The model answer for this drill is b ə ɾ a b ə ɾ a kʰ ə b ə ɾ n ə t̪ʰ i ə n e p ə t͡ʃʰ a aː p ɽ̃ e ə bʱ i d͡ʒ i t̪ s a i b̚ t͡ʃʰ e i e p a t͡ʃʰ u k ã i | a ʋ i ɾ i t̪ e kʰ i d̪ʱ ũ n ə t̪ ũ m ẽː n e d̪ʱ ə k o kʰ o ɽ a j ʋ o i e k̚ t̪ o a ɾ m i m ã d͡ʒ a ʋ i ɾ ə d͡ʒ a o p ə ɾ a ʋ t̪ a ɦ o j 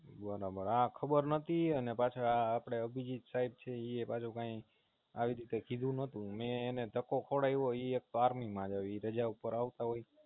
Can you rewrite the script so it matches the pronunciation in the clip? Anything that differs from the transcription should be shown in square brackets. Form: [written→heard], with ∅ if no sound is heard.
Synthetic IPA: b ə ɾ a b ə ɾ a kʰ ə b ə ɾ n ə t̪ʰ i ə n e p [ə→a] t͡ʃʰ a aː p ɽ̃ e ə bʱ i d͡ʒ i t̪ s a i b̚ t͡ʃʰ e i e p a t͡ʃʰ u k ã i | a ʋ i ɾ i t̪ e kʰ i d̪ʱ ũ n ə t̪ ũ m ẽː n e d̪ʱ ə k o kʰ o ɽ a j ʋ o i e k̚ t̪ o a ɾ m i m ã d͡ʒ a ʋ i ɾ ə d͡ʒ a [o→u] p ə ɾ a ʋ t̪ a ɦ o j

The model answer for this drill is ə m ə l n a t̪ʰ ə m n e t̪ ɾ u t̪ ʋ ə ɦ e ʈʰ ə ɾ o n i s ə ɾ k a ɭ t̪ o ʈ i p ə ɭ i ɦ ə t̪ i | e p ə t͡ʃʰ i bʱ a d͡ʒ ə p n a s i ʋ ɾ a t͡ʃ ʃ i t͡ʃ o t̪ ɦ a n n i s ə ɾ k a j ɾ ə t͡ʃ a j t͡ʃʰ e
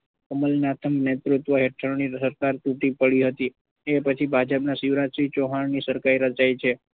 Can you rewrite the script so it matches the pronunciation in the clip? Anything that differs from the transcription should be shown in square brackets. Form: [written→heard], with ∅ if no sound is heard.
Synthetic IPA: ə m ə l n a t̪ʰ ə m n e t̪ ɾ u t̪ ʋ ə ɦ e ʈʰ ə ɾ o n i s ə ɾ k a [ɭ→ɾ] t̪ [o→u] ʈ i p ə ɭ i ɦ ə t̪ i | e p ə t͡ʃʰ i bʱ a d͡ʒ ə p n a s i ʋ ɾ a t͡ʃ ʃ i t͡ʃ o [t̪→∅] ɦ a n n i s ə ɾ k a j ɾ ə t͡ʃ a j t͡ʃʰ e

